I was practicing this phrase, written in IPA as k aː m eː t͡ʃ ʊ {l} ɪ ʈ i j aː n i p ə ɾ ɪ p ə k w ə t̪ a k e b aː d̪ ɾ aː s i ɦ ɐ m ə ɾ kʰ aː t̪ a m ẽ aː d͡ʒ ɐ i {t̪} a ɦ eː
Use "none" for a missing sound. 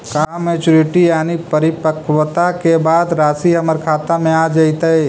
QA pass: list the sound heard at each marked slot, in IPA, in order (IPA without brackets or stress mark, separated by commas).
ɾ, t̪